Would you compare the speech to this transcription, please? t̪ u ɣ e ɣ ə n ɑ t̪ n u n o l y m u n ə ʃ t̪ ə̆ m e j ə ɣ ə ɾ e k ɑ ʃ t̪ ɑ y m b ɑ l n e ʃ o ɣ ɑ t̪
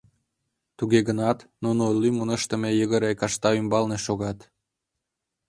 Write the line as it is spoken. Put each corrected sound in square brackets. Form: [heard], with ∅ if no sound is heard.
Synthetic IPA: t̪ u ɣ e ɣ ə n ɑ t̪ n u n o l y m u n ə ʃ t̪ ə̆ m e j ə ɣ ə ɾ e k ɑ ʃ t̪ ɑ y m b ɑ l n e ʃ o ɣ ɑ t̪